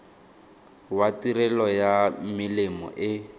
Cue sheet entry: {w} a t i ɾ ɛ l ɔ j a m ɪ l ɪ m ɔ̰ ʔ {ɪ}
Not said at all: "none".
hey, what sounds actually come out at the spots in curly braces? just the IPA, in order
w, ɪ

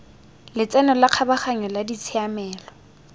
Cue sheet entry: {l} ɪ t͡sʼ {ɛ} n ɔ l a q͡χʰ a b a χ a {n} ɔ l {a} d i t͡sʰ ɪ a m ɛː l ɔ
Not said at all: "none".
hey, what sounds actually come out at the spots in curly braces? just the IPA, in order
l, ɛ, ɲ, a

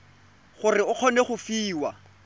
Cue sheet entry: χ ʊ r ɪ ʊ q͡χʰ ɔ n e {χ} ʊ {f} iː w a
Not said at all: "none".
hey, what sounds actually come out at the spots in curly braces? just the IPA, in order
χ, f

